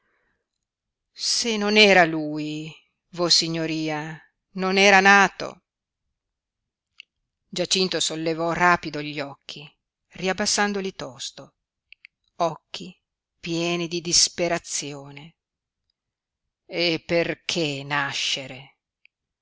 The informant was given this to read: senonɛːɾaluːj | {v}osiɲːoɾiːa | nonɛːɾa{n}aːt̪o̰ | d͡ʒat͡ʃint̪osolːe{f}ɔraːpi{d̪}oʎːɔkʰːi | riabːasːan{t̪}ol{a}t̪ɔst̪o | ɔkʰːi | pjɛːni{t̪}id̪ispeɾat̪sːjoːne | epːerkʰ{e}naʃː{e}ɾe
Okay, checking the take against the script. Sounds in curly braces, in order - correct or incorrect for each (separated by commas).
correct, correct, incorrect, correct, incorrect, incorrect, incorrect, correct, correct